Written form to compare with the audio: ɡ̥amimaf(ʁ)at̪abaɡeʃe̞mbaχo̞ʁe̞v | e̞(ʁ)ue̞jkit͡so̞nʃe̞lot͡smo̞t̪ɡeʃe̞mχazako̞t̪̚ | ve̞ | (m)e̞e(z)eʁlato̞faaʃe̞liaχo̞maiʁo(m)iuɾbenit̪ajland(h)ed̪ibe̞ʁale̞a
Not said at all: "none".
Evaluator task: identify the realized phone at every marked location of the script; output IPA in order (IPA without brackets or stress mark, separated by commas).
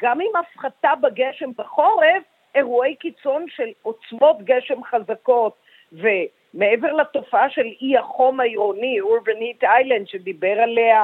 χ, ʁ, m, v, n, ʃ